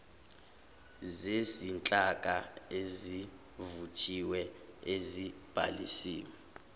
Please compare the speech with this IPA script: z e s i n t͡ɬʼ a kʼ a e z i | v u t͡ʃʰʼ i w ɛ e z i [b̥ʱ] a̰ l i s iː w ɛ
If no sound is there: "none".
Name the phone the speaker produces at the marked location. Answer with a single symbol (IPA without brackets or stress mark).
b̥ʱ